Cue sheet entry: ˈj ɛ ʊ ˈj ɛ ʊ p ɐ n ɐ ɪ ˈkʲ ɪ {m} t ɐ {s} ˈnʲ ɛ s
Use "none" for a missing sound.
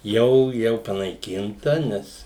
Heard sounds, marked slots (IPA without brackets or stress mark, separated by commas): n, none